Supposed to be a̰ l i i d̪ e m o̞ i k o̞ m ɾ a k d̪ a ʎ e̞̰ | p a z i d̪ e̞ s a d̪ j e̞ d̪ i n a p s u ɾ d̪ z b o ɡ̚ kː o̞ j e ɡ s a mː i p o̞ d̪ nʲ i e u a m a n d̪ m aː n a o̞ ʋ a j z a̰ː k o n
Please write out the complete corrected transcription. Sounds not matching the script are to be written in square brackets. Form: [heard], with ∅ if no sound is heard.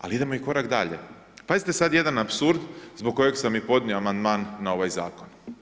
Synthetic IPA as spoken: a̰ l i i d̪ e m o̞ i k o̞ [∅] ɾ a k d̪ a ʎ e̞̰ | p a z i [t̪] e̞ s a d̪ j e̞ d̪ [a] n a p s u ɾ d̪ z b o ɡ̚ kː o̞ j e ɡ s a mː i p o̞ d̪ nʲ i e [o] a m a n d̪ m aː [nː] a o̞ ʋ a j z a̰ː k o n